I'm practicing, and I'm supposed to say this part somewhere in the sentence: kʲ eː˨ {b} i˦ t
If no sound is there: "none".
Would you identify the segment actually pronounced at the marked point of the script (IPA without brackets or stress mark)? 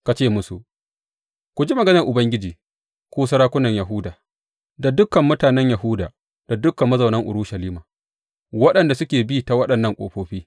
b